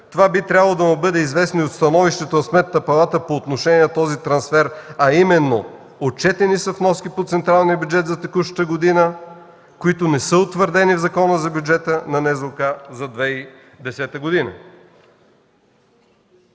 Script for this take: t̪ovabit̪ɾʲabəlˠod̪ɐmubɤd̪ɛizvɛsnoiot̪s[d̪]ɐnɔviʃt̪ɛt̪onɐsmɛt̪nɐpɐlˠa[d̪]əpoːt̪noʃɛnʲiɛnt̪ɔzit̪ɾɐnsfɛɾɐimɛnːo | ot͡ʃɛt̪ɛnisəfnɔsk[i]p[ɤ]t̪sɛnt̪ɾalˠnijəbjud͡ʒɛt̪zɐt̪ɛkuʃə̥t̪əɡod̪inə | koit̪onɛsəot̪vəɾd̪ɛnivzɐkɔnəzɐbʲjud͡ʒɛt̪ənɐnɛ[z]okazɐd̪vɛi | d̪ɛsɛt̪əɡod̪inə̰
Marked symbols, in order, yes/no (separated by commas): no, no, yes, no, yes